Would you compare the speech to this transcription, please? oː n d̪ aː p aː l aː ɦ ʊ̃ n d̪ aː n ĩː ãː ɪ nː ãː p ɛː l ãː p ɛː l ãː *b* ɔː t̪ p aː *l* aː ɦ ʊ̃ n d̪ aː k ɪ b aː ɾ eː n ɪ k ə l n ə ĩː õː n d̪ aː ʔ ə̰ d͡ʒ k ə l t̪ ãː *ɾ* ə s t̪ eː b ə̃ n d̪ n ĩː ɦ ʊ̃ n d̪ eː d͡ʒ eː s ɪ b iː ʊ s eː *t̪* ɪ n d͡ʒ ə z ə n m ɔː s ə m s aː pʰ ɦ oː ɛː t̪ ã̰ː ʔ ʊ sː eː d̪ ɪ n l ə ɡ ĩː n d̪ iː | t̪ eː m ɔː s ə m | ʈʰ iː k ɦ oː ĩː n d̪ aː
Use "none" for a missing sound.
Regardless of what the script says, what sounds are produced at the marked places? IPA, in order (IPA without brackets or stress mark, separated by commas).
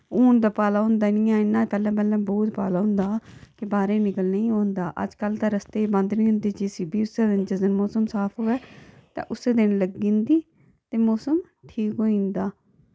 b, l, ɾ, d̪